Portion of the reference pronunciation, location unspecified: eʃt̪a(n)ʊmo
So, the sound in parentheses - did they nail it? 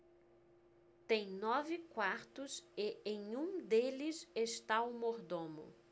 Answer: no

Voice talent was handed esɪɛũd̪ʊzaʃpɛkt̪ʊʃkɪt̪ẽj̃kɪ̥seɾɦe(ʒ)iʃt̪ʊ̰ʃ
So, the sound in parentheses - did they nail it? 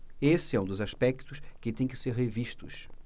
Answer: no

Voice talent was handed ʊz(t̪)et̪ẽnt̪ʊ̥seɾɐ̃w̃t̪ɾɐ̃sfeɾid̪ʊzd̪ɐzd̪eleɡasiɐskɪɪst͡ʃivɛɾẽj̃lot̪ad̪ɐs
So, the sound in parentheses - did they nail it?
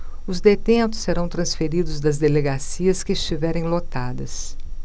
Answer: no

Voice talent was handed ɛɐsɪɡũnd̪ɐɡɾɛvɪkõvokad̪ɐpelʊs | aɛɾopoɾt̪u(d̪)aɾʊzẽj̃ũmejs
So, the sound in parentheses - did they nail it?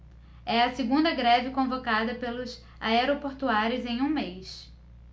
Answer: no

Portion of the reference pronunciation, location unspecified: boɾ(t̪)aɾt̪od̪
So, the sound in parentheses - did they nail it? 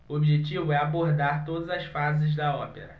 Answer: no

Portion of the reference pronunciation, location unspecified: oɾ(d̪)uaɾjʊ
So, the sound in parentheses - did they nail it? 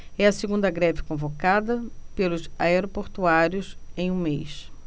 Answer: no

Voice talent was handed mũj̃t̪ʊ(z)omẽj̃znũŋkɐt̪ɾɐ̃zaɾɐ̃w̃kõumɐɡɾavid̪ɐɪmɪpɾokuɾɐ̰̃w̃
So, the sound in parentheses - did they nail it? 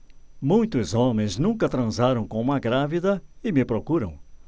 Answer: yes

